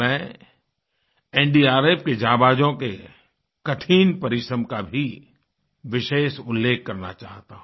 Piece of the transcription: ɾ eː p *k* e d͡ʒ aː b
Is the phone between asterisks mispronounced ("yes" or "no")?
no